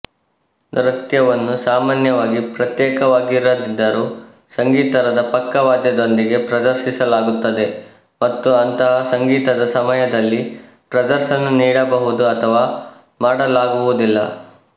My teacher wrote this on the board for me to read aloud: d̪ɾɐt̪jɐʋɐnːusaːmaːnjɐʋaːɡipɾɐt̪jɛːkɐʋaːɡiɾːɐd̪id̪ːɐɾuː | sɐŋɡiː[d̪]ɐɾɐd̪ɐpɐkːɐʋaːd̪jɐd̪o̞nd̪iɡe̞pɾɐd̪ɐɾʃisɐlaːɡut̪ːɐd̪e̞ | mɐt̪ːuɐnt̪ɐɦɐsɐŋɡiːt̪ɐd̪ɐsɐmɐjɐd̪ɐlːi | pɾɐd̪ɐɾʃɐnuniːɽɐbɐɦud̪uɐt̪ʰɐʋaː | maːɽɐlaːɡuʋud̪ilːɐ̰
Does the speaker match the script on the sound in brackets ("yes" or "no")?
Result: no